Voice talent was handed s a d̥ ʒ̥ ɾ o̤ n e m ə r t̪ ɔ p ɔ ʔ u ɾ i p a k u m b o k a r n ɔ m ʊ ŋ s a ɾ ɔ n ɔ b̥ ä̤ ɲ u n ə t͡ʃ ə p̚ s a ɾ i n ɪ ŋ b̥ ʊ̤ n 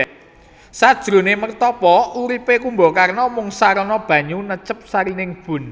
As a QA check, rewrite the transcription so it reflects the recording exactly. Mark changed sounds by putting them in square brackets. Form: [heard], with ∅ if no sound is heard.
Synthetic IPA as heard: s a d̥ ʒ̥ ɾ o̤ n e m ə r t̪ ɔ p ɔ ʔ u ɾ i p [e] k u m b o k a r n ɔ m ʊ ŋ s a ɾ ɔ n ɔ b̥ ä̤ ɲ u n ə t͡ʃ ə p̚ s a ɾ i n ɪ ŋ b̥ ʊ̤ n